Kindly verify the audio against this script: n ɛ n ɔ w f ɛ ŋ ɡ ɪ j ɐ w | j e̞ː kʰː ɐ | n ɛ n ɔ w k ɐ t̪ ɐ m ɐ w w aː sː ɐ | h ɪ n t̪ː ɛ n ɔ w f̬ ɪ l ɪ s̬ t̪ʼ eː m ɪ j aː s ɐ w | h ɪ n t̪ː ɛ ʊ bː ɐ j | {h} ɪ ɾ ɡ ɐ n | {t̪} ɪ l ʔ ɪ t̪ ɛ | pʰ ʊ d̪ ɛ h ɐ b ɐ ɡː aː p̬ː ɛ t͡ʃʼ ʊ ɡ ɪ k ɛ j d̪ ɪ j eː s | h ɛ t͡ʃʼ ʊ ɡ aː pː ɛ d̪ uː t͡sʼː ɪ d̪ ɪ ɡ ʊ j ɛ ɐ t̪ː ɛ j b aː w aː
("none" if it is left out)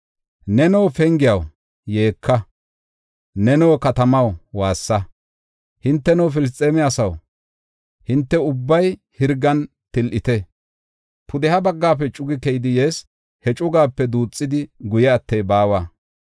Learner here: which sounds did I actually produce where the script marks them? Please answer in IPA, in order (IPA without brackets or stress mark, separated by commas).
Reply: h, t̪